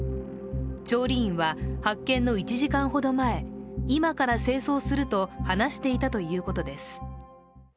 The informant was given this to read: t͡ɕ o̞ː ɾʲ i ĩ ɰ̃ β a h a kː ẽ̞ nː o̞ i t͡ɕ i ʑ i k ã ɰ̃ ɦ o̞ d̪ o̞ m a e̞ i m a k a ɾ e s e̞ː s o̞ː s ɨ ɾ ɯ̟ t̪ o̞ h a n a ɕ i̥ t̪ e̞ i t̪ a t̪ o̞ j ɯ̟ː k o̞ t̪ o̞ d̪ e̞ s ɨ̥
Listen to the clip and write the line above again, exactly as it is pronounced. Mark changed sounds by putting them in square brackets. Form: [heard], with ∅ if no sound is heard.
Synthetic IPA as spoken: t͡ɕ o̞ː ɾʲ i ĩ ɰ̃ β a h a kː ẽ̞ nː o̞ i t͡ɕ i ʑ i k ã ɰ̃ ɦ o̞ d̪ o̞ m a e̞ i m a k a ɾ [a] s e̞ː s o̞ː s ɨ ɾ ɯ̟ t̪ o̞ h a n a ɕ i̥ t̪ e̞ i t̪ a t̪ o̞ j ɯ̟ː k o̞ t̪ o̞ d̪ e̞ s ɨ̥